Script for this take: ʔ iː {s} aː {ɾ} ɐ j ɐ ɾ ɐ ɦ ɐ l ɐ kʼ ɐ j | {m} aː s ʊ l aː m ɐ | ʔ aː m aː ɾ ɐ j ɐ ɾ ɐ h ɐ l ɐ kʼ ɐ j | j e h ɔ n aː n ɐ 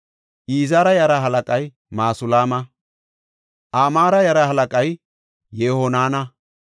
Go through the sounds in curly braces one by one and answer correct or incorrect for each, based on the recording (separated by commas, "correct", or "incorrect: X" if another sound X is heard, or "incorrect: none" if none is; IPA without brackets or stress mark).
incorrect: z, correct, correct